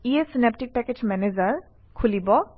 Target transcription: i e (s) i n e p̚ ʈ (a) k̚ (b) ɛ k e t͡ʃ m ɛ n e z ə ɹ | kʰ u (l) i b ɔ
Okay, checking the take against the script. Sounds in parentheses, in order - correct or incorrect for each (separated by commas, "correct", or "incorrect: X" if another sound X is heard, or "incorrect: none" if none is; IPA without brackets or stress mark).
correct, incorrect: i, incorrect: p, correct